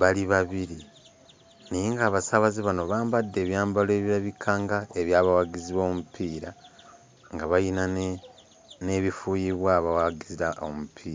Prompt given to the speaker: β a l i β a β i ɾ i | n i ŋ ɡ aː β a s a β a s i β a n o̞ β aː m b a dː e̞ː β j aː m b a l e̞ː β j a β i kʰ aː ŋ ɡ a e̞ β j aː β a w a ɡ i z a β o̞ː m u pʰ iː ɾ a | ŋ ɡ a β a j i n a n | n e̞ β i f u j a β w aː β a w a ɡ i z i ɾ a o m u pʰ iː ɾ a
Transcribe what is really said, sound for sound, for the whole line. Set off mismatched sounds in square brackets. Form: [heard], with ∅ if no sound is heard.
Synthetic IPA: β a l i β a β i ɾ i | n i ŋ ɡ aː β a s a β a [z] i β a n o̞ β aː m b a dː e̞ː β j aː m b a l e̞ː β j a β i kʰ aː ŋ ɡ a e̞ β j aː β a w a ɡ i z [i] β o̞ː m u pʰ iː ɾ a | ŋ ɡ a β a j i n a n | n e̞ β i f u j [i] β w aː β a w a ɡ i z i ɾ a o m u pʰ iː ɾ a